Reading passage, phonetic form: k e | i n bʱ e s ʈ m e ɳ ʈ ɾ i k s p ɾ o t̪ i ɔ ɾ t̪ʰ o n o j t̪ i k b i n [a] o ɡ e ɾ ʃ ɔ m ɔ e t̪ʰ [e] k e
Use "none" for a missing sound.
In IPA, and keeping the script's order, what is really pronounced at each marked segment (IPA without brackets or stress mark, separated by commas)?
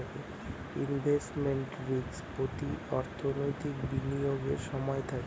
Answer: i, a